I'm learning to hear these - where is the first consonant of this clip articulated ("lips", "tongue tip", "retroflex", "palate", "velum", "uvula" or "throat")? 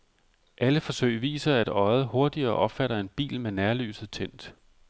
throat